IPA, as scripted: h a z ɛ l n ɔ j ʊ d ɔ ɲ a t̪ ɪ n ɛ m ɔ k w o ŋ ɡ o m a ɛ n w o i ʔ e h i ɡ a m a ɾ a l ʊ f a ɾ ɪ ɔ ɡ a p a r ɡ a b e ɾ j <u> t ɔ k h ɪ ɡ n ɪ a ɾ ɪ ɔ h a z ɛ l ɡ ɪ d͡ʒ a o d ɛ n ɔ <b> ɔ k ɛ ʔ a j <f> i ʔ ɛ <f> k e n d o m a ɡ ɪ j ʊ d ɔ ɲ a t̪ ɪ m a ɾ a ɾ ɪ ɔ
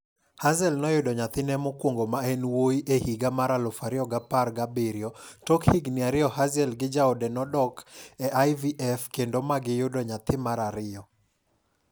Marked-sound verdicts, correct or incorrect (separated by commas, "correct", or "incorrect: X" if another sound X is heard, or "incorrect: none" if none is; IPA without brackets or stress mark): incorrect: ɔ, incorrect: d, incorrect: v, correct